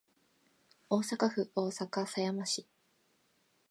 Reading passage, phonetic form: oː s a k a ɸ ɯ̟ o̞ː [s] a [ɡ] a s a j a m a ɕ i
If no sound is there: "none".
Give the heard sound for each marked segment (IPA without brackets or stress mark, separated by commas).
s, k